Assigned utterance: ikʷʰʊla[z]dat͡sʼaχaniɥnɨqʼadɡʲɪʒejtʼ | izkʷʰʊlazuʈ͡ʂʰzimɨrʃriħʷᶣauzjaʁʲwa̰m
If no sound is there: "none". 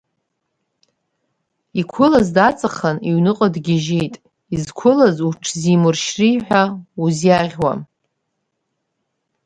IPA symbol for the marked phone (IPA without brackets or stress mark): z